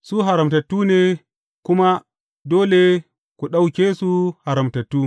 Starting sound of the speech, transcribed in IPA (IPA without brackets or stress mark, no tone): s